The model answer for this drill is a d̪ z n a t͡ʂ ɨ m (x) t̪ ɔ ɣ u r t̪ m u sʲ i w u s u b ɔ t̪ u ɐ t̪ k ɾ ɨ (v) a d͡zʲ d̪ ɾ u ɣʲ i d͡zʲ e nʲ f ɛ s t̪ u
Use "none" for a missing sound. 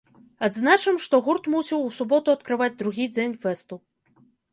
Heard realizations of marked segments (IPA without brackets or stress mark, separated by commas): ʂ, v